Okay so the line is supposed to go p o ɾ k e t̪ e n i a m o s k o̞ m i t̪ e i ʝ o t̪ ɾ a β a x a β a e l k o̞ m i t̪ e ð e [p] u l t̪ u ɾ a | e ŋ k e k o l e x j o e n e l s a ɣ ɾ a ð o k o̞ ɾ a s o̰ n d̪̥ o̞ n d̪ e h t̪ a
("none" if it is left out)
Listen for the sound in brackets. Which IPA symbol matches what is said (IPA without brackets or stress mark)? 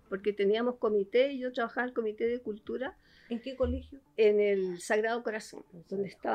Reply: k